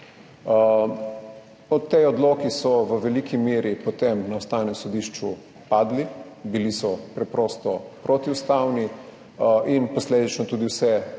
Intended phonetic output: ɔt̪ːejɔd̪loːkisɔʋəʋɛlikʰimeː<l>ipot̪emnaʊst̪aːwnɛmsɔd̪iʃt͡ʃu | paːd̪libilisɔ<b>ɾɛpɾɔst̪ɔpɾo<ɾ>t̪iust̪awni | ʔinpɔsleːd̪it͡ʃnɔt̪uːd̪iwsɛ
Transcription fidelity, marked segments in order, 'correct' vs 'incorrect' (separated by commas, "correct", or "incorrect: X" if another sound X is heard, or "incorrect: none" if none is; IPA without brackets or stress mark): incorrect: ɾ, incorrect: p, incorrect: none